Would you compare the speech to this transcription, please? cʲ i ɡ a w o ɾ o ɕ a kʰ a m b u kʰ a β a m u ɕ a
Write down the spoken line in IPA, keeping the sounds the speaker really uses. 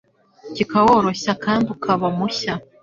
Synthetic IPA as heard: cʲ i k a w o ɾ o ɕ a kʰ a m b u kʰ a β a m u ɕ a